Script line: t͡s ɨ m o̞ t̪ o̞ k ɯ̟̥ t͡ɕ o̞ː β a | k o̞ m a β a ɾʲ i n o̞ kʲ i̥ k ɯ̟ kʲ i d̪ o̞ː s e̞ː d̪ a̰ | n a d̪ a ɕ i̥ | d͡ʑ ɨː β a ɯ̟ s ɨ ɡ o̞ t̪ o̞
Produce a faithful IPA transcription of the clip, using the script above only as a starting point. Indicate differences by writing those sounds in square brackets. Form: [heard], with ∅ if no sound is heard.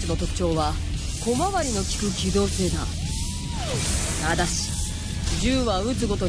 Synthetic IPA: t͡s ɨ [n] o̞ t̪ o̞ k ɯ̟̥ t͡ɕ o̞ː β a | k o̞ m a β a ɾʲ i n o̞ kʲ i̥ k ɯ̟ kʲ i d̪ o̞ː s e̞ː d̪ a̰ | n a d̪ a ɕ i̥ | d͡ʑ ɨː β a ɯ̟ [t͡s] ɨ ɡ o̞ t̪ o̞